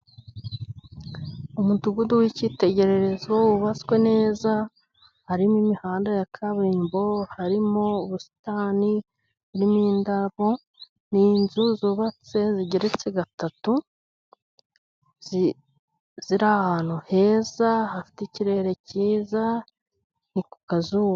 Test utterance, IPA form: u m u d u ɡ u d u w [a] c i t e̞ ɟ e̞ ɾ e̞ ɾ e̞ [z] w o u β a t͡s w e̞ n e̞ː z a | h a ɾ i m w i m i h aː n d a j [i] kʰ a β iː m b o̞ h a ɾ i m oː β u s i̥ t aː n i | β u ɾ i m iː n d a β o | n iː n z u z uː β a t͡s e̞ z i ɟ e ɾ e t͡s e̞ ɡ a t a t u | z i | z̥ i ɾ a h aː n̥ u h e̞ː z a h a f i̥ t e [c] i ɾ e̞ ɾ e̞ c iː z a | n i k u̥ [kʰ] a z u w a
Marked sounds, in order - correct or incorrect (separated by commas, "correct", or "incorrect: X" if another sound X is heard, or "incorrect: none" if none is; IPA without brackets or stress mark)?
incorrect: i, correct, incorrect: a, correct, incorrect: k